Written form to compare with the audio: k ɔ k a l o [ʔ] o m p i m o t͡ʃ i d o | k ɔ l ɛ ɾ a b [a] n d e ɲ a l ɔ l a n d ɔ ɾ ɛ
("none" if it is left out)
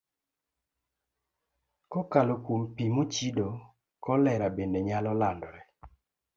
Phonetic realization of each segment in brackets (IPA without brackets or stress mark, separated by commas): k, e